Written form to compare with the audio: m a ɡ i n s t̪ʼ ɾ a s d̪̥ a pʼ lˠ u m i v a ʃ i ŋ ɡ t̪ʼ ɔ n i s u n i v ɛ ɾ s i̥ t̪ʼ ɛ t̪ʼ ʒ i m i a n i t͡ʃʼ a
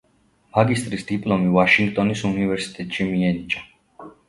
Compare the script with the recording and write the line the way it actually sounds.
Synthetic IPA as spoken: m a ɡ i s t̪ʼ ɾ i s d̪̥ i pʼ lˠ ɔ m i v a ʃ i ŋ ɡ t̪ʼ ɔ n i s u n i v ɛ ɾ s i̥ t̪ʼ ɛ t̪ʼ ʃ i m i ɛ n i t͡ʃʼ a